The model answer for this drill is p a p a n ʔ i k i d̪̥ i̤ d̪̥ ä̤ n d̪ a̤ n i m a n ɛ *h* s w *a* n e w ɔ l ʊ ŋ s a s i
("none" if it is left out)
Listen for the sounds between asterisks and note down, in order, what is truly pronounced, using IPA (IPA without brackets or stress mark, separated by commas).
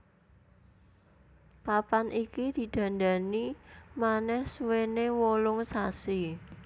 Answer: h, e